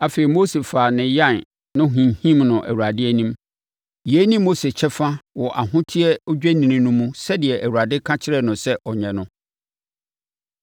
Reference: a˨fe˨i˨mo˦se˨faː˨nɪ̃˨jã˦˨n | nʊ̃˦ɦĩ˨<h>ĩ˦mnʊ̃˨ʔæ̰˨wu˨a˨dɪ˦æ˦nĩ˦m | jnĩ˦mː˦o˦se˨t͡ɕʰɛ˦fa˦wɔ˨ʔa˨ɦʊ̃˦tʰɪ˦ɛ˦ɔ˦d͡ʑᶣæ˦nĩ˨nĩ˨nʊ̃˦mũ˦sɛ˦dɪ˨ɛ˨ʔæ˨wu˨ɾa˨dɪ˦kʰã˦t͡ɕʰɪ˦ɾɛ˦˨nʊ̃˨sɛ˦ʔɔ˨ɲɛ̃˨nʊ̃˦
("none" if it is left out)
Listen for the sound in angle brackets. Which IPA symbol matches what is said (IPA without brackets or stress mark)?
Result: h